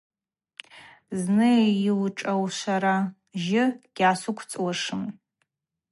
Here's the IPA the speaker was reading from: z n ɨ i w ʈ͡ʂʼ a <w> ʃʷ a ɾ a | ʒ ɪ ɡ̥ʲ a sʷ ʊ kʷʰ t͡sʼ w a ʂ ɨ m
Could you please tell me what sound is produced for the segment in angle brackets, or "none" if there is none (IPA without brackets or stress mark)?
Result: w